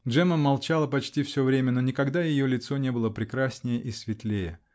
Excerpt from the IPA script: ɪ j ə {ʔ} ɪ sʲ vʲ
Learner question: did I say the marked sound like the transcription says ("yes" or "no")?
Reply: yes